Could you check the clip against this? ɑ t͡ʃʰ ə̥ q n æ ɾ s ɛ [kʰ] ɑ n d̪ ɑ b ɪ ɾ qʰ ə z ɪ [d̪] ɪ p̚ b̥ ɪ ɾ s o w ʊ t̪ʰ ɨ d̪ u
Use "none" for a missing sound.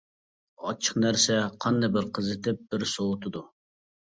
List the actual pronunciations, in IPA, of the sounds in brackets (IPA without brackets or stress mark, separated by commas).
qʰ, t̪